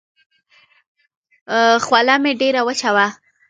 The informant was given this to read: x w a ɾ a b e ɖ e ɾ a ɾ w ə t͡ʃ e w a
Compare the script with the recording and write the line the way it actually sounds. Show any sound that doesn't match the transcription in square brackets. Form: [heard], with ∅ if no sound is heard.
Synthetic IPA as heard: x w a [l] a [m] e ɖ e ɾ a [∅] w ə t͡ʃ [a] w a